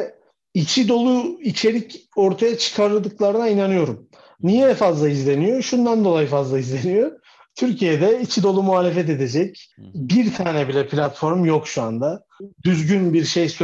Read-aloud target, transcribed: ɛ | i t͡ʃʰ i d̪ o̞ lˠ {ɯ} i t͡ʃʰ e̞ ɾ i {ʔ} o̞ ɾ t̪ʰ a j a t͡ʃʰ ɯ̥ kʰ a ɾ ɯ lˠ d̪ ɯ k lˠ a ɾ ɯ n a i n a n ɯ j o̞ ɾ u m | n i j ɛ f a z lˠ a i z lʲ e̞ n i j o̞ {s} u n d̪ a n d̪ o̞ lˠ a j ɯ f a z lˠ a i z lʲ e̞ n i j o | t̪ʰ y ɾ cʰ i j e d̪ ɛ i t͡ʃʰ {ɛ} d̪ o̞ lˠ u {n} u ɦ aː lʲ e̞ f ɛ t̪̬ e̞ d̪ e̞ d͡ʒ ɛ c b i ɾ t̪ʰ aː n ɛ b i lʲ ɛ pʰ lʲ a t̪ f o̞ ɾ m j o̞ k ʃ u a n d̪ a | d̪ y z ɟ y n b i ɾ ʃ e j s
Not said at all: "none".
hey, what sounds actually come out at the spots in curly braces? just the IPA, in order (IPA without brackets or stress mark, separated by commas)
u, c, ʃ, i, m